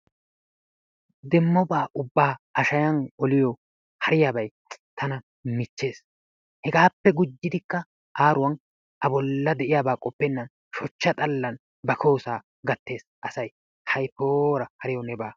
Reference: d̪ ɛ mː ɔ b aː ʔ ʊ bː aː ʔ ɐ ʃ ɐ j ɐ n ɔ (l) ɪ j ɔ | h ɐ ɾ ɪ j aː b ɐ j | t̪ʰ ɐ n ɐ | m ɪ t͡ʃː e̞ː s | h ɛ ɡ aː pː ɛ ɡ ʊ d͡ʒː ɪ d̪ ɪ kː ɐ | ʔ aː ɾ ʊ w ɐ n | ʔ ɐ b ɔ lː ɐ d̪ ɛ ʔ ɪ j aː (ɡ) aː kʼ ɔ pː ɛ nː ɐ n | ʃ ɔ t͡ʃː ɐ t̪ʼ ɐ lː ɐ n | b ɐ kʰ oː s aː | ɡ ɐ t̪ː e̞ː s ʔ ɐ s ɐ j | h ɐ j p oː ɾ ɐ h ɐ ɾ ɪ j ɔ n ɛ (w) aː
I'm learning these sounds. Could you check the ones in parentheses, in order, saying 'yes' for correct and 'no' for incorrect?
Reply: yes, no, no

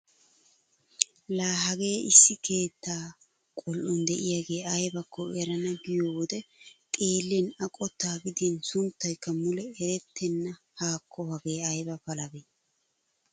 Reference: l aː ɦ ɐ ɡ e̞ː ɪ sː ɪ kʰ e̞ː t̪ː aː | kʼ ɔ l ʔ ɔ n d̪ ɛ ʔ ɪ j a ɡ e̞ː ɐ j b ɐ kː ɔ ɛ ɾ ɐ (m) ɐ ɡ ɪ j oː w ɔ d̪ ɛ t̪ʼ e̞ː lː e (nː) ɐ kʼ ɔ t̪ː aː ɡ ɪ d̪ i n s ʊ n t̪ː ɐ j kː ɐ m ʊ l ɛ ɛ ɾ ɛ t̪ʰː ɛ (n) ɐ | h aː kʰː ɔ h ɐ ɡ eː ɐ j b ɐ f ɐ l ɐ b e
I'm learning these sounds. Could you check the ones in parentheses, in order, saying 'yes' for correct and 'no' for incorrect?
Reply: no, no, no

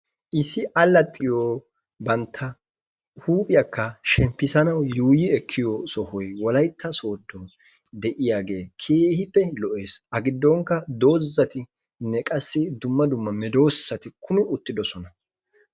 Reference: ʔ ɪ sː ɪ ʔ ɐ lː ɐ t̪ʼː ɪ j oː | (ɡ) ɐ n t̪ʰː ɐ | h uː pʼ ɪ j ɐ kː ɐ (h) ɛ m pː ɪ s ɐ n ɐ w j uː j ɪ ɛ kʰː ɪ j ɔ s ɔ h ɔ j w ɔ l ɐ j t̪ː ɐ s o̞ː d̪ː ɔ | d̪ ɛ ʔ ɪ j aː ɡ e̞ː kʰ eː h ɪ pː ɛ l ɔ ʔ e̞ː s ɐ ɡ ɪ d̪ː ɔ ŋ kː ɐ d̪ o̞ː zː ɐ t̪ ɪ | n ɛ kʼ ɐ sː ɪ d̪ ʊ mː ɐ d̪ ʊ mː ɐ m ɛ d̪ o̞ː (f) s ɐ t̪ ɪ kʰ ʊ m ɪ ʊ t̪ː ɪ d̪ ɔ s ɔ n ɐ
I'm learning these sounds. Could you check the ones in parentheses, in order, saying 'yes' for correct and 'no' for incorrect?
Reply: no, no, no

